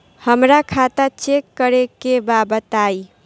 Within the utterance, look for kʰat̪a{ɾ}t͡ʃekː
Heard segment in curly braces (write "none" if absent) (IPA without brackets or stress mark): none